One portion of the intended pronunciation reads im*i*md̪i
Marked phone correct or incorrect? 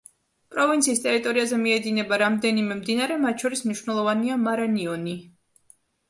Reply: incorrect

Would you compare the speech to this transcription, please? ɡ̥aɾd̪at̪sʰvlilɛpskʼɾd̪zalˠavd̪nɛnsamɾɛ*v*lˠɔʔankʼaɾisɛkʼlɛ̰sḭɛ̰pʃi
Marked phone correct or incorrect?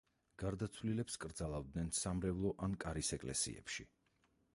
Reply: correct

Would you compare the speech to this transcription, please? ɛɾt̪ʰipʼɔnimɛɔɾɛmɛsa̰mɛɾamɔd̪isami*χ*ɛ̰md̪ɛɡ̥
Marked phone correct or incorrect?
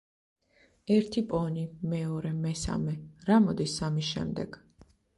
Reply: incorrect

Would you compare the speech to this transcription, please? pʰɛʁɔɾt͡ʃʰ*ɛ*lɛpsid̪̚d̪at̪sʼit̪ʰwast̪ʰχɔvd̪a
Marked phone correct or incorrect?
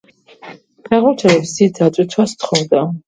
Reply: correct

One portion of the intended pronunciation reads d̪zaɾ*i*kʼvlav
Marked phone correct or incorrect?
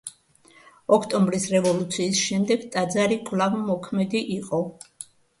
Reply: correct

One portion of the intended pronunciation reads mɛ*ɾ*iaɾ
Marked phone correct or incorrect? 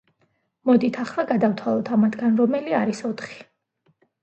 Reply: incorrect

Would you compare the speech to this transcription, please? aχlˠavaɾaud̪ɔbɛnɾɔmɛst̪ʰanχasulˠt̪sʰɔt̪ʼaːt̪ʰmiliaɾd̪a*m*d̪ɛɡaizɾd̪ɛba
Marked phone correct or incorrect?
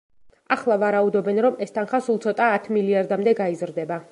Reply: correct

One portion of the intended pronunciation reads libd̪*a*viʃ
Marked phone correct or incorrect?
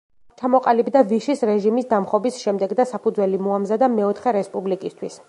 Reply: correct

